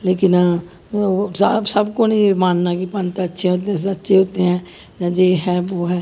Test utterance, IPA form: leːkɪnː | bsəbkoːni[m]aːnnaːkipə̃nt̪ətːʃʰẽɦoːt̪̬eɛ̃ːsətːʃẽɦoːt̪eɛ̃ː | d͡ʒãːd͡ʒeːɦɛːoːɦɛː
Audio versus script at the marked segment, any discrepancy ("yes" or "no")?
no